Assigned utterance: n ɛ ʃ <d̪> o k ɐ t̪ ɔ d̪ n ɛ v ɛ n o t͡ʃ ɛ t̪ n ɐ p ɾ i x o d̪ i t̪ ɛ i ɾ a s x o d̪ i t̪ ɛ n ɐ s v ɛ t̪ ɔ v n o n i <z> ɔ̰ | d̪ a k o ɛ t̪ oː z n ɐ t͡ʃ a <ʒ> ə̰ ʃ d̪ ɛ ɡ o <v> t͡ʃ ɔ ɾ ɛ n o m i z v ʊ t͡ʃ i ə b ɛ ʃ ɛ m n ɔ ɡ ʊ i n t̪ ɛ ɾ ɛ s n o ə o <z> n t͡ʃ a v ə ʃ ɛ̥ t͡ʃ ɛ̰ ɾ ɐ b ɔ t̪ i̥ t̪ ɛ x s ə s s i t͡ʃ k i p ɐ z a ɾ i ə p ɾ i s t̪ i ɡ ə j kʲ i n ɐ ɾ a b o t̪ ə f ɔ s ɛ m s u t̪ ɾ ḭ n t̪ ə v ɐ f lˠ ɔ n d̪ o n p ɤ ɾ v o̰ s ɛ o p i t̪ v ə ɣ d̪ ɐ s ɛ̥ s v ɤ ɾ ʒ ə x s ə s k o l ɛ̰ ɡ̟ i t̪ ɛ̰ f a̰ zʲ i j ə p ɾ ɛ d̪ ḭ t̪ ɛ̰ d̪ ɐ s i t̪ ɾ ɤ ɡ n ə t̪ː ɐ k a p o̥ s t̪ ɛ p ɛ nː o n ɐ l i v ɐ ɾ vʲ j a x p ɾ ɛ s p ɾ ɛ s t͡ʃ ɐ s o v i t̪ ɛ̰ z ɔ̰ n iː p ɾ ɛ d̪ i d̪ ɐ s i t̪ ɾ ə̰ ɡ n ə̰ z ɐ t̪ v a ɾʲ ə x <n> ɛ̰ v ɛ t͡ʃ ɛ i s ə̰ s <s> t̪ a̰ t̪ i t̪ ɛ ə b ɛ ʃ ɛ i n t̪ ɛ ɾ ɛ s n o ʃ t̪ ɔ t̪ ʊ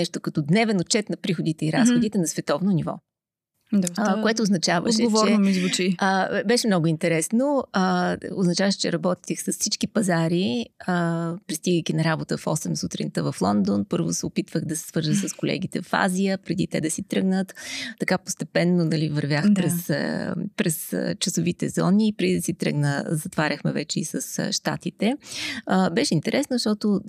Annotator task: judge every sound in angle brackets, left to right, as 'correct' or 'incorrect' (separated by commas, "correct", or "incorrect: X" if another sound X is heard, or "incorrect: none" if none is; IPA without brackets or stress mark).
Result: incorrect: t̪, incorrect: v, incorrect: v, correct, correct, incorrect: m, incorrect: ʃ